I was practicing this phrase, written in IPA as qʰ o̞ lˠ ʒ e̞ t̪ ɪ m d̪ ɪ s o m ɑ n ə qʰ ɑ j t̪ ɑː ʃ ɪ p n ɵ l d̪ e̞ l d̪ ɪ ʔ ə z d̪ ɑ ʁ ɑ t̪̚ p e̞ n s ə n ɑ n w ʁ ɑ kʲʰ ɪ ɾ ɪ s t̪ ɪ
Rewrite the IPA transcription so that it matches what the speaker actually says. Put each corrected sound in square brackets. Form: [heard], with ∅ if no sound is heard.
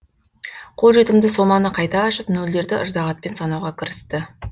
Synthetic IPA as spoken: qʰ o̞ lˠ ʒ e̞ t̪ ɪ m d̪ ɪ s o m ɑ n ə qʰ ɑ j t̪ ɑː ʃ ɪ p n ɵ l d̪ e̞ [ɾ] d̪ ɪ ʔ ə [ʒ] d̪ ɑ ʁ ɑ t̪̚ p e̞ n s [ɑ] n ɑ [∅] w ʁ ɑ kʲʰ ɪ ɾ ɪ s t̪ ɪ